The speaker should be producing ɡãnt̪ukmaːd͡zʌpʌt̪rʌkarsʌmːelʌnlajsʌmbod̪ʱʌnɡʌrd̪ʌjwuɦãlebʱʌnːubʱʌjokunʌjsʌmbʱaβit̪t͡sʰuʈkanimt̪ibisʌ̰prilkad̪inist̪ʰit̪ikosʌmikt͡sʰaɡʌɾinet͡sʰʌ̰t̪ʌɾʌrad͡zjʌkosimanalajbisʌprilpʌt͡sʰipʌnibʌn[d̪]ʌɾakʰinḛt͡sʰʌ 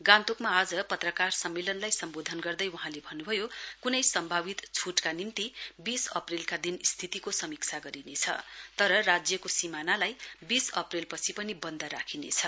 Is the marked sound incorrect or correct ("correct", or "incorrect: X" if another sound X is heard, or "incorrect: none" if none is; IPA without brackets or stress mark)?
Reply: correct